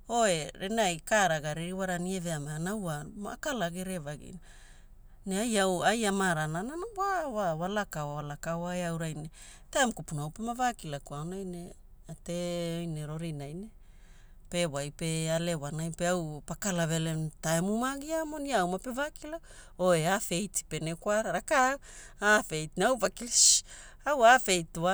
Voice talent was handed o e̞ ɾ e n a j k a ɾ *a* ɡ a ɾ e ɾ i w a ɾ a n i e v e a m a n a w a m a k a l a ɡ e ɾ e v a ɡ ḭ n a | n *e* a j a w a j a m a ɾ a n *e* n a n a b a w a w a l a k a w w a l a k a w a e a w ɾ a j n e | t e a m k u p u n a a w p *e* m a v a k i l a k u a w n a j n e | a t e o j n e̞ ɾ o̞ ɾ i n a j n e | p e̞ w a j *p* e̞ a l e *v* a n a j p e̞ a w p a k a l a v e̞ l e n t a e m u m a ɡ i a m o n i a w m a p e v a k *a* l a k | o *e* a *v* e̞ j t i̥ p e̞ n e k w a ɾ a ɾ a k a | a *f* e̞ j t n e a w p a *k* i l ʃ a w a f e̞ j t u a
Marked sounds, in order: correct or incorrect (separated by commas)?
correct, correct, incorrect, correct, correct, incorrect, incorrect, correct, incorrect, correct, correct